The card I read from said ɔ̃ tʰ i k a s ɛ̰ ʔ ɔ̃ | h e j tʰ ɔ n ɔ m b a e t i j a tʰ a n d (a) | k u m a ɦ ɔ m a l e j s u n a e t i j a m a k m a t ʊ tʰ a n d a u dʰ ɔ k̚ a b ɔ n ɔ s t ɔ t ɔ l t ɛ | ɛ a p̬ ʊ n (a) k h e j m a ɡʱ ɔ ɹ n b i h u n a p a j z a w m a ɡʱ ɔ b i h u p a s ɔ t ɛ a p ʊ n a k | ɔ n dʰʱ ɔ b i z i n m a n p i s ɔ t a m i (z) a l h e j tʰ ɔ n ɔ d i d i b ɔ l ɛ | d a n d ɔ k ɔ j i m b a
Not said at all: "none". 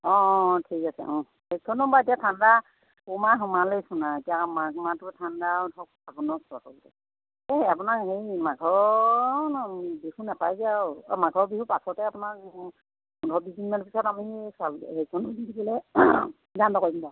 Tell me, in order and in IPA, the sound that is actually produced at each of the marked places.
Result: a, a, s

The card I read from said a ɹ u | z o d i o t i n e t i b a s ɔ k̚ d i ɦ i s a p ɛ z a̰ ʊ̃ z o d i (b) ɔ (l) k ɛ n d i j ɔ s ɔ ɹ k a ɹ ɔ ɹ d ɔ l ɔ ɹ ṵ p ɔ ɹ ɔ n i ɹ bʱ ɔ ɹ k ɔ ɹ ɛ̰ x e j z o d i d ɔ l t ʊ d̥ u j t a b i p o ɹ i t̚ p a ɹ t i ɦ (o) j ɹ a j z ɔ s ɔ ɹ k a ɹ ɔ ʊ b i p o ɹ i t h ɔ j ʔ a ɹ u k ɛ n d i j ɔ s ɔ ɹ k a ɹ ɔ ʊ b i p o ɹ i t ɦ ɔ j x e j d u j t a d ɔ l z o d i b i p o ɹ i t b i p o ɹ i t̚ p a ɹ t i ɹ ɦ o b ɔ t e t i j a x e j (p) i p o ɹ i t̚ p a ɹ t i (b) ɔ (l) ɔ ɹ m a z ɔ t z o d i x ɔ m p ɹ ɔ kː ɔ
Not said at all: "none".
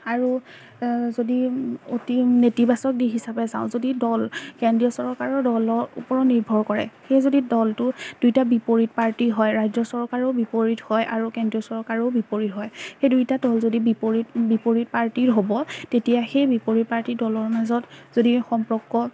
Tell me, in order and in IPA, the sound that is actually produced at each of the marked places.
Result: d, l, ɔ, b, d, l

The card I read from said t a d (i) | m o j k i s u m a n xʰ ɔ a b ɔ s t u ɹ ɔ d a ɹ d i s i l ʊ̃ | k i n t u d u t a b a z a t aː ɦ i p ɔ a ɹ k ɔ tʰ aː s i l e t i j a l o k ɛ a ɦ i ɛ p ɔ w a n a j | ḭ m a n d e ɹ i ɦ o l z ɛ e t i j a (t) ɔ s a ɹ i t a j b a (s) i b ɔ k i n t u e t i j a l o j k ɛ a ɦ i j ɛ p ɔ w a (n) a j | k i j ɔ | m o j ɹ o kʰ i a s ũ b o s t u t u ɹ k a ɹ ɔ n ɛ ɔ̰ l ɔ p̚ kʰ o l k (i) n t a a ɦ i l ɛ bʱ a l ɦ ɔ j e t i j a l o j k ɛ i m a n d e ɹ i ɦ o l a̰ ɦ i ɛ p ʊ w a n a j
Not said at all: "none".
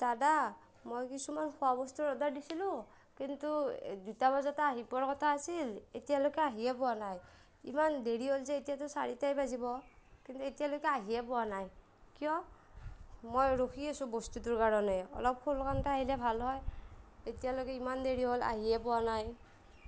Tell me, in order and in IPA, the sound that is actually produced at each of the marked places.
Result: a, t, z, n, a

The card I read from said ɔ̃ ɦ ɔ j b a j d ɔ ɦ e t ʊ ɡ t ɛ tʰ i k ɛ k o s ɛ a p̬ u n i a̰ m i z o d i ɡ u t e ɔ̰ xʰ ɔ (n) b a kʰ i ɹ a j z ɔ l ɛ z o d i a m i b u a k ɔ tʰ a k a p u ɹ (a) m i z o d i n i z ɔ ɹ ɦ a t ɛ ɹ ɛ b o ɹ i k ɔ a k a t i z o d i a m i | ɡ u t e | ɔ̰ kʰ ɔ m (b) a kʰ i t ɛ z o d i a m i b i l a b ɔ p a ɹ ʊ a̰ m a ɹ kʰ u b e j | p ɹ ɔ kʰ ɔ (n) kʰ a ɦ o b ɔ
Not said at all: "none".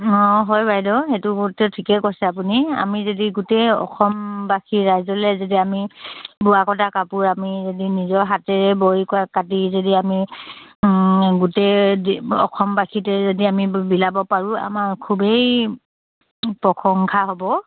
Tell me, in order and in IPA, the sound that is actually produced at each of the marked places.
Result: m, a, b, ŋ

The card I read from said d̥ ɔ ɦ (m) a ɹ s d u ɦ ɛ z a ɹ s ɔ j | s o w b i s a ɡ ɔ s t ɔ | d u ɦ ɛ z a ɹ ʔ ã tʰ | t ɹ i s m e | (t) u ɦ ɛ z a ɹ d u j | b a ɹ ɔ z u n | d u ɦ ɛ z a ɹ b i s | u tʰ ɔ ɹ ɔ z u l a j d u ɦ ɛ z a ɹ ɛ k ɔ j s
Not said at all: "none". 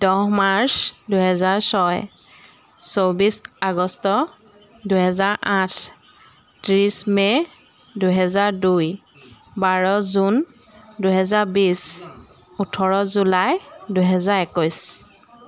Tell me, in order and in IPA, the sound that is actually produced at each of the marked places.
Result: m, d

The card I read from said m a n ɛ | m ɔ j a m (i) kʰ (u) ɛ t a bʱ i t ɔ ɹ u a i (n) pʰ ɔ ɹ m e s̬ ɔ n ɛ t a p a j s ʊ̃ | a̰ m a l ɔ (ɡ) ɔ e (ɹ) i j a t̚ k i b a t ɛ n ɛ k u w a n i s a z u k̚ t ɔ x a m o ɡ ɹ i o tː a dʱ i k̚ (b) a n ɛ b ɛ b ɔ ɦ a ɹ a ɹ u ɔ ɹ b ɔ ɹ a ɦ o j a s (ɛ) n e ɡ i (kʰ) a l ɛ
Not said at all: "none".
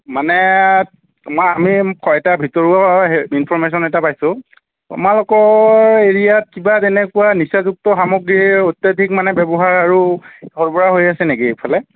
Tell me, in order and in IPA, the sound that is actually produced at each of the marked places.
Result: i, ɔ, n, k, ɹ, m, ɛ, pʰ

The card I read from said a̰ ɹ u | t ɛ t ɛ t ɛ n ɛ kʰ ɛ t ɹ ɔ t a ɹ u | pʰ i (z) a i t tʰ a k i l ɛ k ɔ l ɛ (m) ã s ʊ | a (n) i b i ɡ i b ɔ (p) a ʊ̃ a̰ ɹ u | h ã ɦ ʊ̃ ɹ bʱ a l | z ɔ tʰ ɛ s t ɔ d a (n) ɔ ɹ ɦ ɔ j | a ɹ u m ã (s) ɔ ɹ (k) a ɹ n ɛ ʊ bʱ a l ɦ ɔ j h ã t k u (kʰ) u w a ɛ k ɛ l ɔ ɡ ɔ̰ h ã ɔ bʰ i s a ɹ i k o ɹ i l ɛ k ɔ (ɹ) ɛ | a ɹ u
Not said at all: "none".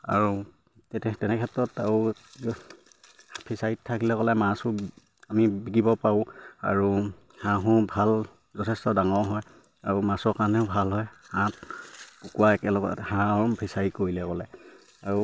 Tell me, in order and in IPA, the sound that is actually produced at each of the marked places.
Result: s, m, m, p, ŋ, s, k, k, l

